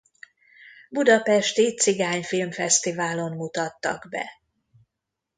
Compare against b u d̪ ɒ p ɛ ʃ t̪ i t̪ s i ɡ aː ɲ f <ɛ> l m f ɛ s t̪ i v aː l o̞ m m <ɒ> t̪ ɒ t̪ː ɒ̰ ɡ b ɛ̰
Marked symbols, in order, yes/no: no, no

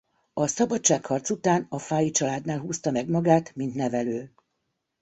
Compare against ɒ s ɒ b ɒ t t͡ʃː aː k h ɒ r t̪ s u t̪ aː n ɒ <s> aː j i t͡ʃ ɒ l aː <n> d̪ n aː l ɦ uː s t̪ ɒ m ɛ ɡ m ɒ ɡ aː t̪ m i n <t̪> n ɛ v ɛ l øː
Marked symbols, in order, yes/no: no, no, yes

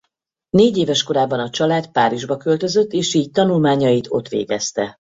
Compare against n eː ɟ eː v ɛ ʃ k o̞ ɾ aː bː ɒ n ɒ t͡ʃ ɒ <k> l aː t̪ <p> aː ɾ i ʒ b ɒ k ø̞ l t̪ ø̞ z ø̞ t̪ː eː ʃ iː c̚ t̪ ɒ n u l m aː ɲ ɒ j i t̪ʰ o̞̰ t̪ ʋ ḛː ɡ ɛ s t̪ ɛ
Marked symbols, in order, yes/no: no, yes

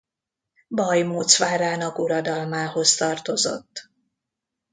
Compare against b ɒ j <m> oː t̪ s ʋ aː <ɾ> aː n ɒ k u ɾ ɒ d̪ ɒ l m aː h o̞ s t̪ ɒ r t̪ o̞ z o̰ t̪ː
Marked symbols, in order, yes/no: yes, yes

